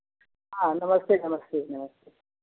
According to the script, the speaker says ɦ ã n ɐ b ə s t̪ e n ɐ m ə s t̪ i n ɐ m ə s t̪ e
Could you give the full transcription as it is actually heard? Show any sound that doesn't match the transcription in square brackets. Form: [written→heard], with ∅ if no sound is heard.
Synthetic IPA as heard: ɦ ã n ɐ [b→m] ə s t̪ e n ɐ m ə s t̪ [i→e] n ɐ m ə s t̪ e